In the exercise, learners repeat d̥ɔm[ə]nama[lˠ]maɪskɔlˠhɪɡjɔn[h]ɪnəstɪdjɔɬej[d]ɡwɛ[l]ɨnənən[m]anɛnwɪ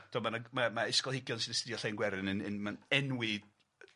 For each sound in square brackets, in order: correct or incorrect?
incorrect, incorrect, incorrect, incorrect, incorrect, correct

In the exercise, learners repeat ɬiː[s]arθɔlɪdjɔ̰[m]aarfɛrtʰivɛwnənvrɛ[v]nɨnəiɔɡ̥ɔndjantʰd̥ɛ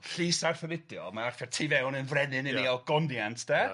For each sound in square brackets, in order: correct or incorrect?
correct, correct, incorrect

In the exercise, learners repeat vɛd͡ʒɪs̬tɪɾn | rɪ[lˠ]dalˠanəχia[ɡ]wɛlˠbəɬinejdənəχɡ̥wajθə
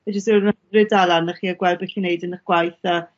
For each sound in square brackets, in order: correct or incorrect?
incorrect, correct

